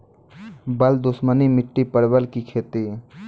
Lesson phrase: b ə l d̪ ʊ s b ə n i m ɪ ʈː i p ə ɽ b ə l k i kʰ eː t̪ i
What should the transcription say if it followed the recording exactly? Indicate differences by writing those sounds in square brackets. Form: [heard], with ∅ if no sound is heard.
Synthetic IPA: b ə l d̪ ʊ s [m] ə n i m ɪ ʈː i p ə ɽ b ə l k i kʰ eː t̪ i